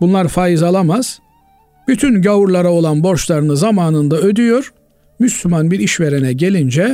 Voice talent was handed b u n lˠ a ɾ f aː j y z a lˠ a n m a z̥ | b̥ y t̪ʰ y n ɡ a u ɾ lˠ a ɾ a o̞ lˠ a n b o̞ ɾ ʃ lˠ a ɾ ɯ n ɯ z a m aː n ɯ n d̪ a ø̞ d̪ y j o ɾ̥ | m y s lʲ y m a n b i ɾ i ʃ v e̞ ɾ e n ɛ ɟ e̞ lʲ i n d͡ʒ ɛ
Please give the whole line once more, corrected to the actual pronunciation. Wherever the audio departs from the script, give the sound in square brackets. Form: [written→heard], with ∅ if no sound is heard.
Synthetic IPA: b u n lˠ a ɾ f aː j [y→i] z a lˠ a [n→∅] m a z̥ | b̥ y t̪ʰ y n [ɡ→ɟ] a u ɾ lˠ a ɾ a o̞ lˠ a n b o̞ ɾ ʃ lˠ a ɾ ɯ n ɯ z a m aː n ɯ n d̪ a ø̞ d̪ y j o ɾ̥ | m y s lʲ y m a n b i ɾ i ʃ v e̞ ɾ e n ɛ ɟ e̞ lʲ i n d͡ʒ ɛ